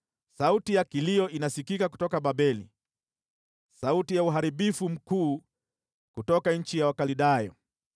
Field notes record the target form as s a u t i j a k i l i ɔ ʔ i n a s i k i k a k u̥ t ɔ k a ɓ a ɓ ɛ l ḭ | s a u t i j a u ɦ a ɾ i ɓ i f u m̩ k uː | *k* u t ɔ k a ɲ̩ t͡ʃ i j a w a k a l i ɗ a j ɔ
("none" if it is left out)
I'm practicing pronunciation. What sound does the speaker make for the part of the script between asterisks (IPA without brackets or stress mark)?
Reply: k